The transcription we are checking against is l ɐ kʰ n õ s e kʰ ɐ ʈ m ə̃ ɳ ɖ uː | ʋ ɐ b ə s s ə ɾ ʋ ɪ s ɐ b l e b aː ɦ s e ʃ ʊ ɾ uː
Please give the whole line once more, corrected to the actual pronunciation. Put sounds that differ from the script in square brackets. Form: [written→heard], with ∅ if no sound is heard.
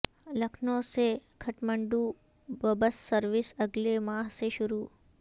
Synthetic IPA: l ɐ kʰ n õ s e kʰ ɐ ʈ m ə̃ ɳ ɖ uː | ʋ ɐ b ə s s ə ɾ ʋ ɪ s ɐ [b→ɡ] l e [b→m] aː ɦ s e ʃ ʊ ɾ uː